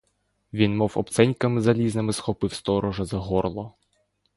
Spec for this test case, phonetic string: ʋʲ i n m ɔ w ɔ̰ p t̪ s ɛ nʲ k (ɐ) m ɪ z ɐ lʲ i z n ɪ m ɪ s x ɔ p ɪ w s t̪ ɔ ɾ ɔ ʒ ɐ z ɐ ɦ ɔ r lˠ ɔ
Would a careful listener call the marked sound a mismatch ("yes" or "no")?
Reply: no